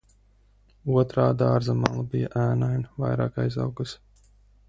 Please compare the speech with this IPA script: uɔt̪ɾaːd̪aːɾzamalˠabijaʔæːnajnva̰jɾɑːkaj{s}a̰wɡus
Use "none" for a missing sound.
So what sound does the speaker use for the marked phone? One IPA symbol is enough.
z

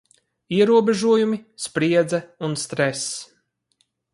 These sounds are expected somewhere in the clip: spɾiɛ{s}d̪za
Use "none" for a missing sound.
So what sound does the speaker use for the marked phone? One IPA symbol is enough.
none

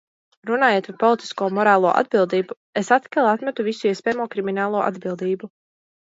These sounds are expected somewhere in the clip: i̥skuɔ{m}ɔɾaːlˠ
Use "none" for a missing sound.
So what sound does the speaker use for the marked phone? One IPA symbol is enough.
m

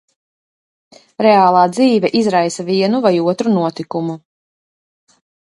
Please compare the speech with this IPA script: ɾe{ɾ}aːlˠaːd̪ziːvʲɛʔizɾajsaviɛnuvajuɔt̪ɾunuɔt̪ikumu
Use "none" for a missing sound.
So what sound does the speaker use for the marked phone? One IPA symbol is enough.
none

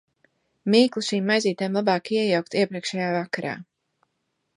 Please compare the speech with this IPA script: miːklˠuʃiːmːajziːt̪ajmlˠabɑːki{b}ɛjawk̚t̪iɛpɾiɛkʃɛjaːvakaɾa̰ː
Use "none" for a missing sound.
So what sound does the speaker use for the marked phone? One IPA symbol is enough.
none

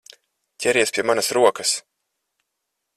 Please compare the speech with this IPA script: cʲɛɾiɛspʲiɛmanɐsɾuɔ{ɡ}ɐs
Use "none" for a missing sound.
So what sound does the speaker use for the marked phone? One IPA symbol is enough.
k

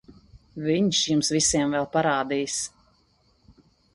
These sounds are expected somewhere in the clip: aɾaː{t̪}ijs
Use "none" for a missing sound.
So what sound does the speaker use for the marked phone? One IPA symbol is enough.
d̪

